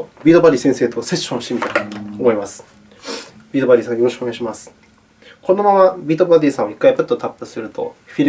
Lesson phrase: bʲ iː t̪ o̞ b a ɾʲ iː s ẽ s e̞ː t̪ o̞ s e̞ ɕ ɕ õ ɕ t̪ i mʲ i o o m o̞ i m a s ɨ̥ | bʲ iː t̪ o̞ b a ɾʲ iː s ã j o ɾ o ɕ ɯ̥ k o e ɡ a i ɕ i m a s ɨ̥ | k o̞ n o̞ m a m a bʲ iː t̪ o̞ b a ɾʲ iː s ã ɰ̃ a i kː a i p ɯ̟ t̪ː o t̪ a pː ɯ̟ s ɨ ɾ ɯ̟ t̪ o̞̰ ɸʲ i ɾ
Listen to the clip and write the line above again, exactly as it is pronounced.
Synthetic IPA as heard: bʲ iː t̪ o̞ b a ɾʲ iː s ẽ s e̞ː t̪ o̞ s e̞ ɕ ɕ õ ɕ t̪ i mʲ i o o m o̞ i m a s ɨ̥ | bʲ iː t̪ o̞ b a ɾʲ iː s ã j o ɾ o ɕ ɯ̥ k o e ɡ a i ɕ i m a s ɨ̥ | k o̞ n o̞ m a m a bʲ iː t̪ o̞ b a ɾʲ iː s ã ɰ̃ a i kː a i p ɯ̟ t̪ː o t̪ a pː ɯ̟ s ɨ ɾ ɯ̟ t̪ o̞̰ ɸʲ i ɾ

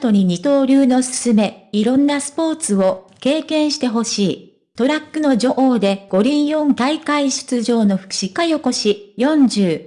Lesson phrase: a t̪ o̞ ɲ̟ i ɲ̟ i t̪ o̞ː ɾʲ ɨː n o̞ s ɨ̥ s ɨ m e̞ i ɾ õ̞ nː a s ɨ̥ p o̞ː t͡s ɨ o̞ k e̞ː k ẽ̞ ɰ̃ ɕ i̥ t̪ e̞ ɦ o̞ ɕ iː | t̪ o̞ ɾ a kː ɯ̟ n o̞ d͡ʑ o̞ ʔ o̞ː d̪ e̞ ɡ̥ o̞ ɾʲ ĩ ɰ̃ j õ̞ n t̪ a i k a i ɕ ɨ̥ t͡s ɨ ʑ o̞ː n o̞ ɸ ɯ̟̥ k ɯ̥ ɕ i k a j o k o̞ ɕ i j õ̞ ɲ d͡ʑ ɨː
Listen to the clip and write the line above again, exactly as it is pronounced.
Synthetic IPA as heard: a t̪ o̞ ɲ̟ i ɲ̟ i t̪ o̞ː ɾʲ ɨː n o̞ s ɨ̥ s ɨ m e̞ i ɾ õ̞ nː a s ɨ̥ p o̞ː t͡s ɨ o̞ k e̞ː k ẽ̞ ɰ̃ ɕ i̥ t̪ e̞ ɦ o̞ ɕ iː | t̪ o̞ ɾ a kː ɯ̟ n o̞ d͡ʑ o̞ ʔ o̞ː d̪ e̞ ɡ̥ o̞ ɾʲ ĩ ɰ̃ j õ̞ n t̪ a i k a i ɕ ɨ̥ t͡s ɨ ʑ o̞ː n o̞ ɸ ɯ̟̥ k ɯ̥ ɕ i k a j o k o̞ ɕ i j õ̞ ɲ d͡ʑ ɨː

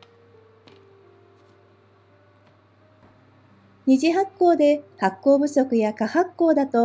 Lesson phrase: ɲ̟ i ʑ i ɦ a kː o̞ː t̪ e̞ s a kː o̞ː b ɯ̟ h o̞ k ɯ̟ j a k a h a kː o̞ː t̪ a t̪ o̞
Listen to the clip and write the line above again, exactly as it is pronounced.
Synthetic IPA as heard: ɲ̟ i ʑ i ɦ a kː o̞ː d̪ e̞ h a kː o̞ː b ɯ̟ s o̞ k ɯ̟ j a k a h a kː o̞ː d̪ a t̪ o̞

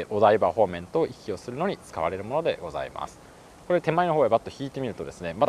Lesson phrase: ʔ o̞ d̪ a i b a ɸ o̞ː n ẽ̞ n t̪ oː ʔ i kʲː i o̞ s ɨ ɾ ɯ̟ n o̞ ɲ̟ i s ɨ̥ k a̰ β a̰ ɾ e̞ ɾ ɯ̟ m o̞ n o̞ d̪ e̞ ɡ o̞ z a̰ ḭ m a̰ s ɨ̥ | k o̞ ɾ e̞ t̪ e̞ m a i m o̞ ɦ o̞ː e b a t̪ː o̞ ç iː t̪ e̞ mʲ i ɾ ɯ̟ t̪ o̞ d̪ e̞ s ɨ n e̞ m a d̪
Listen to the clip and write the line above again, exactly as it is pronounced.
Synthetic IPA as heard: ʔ o̞ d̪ a i b a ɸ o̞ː m ẽ̞ n t̪ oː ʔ i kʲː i o̞ s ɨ ɾ ɯ̟ n o̞ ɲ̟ i t͡s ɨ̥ k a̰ β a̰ ɾ e̞ ɾ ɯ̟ m o̞ n o̞ d̪ e̞ ɡ o̞ z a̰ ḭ m a̰ s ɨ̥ | k o̞ ɾ e̞ t̪ e̞ m a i n o̞ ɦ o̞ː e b a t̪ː o̞ ç iː t̪ e̞ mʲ i ɾ ɯ̟ t̪ o̞ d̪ e̞ s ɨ n e̞ m a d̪

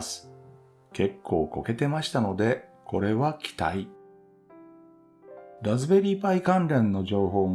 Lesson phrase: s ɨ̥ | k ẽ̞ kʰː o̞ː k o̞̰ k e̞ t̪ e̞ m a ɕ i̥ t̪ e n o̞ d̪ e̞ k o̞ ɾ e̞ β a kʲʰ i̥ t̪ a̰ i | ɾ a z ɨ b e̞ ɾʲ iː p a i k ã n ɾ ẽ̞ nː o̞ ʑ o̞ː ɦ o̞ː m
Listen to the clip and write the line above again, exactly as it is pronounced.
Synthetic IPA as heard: s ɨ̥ | k e̞ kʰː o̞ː k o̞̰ k e̞ t̪ e̞ m a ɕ i̥ t̪ a n o̞ d̪ e̞ k o̞ ɾ e̞ β a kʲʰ i̥ t̪ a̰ i | ɾ a z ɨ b e̞ ɾʲ iː p a i k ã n ɾ ẽ̞ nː o̞ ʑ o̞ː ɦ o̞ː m

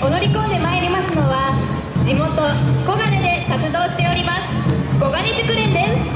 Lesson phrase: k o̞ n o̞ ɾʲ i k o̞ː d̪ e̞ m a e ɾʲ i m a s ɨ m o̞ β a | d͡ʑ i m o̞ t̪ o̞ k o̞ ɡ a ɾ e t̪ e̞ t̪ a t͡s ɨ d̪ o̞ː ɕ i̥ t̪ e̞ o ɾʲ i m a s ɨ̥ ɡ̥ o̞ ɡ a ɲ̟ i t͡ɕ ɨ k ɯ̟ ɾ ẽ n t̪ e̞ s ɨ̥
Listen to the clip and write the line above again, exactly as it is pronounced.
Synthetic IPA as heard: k o̞ n o̞ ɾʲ i k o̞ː d̪ e̞ m a e ɾʲ i m a s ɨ n o̞ β a | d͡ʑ i m o̞ t̪ o̞ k o̞ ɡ a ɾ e d̪ e̞ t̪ a t͡s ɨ d̪ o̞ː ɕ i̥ t̪ e̞ o ɾʲ i m a s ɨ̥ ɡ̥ o̞ ɡ a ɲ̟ i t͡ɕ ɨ k ɯ̟ ɾ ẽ n d̪ e̞ s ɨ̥

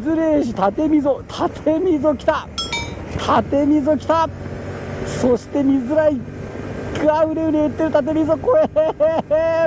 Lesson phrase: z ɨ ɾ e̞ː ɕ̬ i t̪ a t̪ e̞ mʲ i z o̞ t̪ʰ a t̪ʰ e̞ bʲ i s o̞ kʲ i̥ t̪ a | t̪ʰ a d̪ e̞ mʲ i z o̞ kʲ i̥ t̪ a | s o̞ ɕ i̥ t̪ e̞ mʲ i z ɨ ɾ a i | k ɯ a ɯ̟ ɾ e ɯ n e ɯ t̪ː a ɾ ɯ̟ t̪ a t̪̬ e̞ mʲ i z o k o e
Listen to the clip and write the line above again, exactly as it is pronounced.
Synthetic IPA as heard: z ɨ ɾ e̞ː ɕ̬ i t̪ a t̪ e̞ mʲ i z o̞ t̪ʰ a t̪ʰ e̞ mʲ i z o̞ kʲ i̥ t̪ a | t̪ʰ a t̪ e̞ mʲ i z o̞ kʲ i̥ t̪ a | s o̞ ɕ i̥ t̪ e̞ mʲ i z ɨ ɾ a i | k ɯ a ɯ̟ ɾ e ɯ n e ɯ t̪ː e ɾ ɯ̟ t̪ a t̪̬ e̞ mʲ i z o k o e

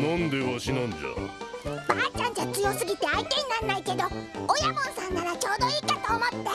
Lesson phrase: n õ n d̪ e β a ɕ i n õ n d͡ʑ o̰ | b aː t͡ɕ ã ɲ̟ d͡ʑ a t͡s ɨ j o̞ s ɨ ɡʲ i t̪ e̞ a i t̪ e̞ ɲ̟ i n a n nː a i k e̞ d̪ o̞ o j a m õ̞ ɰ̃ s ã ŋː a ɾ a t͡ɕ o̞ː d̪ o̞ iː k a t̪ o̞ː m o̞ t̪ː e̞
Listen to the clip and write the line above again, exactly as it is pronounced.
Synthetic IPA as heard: n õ n d̪ e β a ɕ i n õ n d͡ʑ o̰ | b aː t͡ɕ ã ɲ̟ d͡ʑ a t͡s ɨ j o̞ s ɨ ɡʲ i t̪ e̞ a i t̪ e̞ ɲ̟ i n a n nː a i k e̞ d̪ o̞ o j a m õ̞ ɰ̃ s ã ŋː a ɾ a t͡ɕ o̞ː d̪ o̞ iː k a t̪ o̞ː m o̞ t̪ː e̞

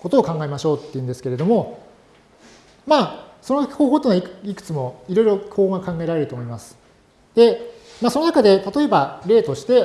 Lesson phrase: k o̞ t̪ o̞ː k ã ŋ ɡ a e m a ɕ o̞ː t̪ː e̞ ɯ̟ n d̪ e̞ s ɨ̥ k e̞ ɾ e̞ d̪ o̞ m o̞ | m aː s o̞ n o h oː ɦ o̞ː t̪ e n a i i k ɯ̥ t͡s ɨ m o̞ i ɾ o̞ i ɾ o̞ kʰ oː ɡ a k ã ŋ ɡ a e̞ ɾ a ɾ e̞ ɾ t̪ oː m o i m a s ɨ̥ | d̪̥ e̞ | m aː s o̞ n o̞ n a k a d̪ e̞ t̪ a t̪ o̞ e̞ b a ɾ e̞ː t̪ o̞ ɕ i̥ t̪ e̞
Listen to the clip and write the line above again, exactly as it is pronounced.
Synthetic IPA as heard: k o̞ t̪ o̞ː k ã ŋ ɡ a e m a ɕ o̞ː t̪ː e̞ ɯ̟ n d̪ e̞ s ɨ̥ k e̞ ɾ e̞ d̪ o̞ m o̞ | m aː s o̞ n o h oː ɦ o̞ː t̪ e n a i i k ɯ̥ t͡s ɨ m o̞ i ɾ o̞ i ɾ o̞ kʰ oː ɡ a k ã ŋ ɡ a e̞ ɾ a ɾ e̞ ɾ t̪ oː m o i m a s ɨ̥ | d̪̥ e̞ | m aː s o̞ n o̞ n a k a d̪ e̞ t̪ a t̪ o̞ e̞ b a ɾ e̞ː t̪ o̞ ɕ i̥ t̪ e̞

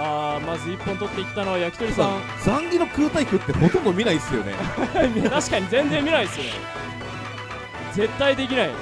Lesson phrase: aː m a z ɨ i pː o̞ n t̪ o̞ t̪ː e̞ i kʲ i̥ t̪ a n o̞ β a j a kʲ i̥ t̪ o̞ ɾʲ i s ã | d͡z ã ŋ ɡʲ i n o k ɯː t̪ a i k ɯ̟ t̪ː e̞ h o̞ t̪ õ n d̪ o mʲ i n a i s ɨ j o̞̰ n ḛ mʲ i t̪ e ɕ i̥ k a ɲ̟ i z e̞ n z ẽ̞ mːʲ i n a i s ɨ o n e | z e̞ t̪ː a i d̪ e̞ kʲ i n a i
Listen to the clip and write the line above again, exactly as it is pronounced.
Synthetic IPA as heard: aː m a z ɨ i pː õ̞ n t̪ o̞ t̪ː e̞ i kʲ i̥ t̪ a n o̞ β a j a kʲ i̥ t̪ o̞ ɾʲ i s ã | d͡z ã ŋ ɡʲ i n o k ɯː t̪ a i k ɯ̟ t̪ː e̞ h o̞ t̪ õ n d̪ o mʲ i n a i s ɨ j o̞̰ n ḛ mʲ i t̪ a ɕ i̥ k a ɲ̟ i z ẽ̞ n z ẽ̞ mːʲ i n a i s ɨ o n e | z e̞ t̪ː a i d̪ e̞ kʲ i n a i

